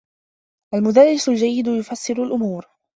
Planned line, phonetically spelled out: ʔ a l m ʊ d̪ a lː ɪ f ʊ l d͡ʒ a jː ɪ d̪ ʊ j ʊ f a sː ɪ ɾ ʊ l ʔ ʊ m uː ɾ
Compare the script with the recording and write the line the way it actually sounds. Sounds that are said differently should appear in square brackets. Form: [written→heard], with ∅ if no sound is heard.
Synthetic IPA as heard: ʔ a l m ʊ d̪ a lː ɪ [f→s] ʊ l d͡ʒ a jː ɪ d̪ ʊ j ʊ f a sː ɪ ɾ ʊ l ʔ ʊ m uː ɾ